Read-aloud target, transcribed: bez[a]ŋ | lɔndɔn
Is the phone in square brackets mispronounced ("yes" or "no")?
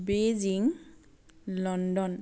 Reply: yes